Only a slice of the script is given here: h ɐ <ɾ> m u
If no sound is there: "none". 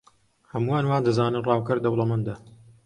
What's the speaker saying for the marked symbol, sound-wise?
none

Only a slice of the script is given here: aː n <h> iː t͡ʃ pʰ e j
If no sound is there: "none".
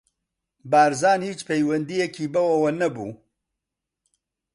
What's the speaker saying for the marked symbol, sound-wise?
h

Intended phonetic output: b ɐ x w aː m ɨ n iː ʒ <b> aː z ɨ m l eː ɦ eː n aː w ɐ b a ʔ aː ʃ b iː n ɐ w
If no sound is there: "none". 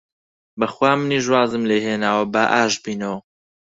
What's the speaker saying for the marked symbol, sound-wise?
w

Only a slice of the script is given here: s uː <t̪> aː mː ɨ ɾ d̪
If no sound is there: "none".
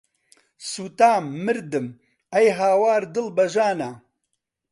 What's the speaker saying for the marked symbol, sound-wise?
t̪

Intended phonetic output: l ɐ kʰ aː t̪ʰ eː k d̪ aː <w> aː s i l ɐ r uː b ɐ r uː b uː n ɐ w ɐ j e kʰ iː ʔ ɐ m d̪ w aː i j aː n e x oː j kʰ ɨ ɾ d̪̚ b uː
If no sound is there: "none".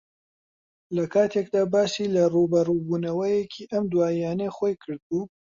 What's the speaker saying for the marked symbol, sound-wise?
b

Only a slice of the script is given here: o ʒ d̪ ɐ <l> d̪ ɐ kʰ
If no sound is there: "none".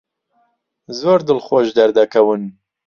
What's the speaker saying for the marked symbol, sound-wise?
ɾ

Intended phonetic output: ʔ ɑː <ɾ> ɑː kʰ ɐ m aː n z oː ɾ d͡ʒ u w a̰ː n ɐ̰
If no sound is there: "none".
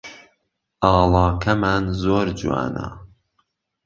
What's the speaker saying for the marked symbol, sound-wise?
l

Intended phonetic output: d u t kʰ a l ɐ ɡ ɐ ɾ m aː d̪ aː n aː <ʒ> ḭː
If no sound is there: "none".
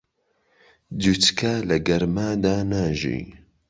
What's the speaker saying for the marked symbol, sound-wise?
ʒ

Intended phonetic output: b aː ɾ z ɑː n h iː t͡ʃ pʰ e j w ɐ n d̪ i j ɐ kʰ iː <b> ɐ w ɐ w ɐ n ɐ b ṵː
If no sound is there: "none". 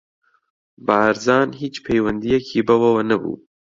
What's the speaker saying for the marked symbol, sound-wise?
b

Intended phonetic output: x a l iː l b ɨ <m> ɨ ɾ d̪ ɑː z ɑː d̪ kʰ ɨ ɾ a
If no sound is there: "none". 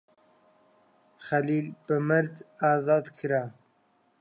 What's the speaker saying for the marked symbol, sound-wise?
m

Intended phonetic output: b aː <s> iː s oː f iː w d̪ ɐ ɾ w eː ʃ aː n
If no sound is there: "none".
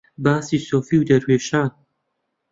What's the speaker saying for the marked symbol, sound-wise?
s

